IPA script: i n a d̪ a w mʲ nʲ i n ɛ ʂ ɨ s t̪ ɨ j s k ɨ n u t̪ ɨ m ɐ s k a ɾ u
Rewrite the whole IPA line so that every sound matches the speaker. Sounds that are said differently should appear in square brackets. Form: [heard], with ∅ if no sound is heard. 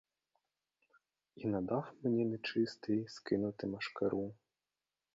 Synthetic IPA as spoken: i n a d̪ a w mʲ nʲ [ɛ] n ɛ [t͡ʂ] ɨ s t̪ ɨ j s k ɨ n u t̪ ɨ m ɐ [ʂ] k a ɾ u